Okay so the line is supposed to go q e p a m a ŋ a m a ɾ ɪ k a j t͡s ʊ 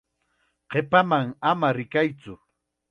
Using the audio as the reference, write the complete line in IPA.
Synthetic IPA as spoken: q e p a m a ŋ a m a ɾ ɪ k a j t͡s ʊ